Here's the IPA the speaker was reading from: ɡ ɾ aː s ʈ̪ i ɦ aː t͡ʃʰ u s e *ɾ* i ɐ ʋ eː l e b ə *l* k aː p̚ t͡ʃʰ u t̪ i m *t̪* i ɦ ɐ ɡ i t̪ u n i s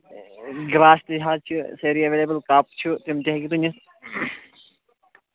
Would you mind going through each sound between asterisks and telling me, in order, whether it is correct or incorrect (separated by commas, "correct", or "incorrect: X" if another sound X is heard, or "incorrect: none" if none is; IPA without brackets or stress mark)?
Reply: correct, correct, correct